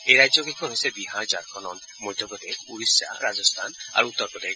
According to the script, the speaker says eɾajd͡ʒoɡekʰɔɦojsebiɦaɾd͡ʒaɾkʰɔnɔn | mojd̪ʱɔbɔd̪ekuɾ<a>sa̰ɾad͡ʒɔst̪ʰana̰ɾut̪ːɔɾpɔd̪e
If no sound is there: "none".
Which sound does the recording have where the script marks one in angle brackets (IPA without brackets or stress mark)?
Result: i